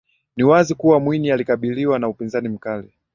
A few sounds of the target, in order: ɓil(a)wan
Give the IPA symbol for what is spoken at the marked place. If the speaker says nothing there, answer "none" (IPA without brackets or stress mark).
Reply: i